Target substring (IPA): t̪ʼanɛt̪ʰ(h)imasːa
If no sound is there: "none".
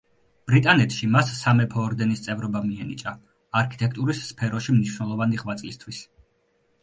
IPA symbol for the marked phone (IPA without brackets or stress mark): ʃ